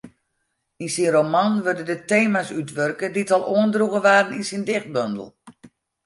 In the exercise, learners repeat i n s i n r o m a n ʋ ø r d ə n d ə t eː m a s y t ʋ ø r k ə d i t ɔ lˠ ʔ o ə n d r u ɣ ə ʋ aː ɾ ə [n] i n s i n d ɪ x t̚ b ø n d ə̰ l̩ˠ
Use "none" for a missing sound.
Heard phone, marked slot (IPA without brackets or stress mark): n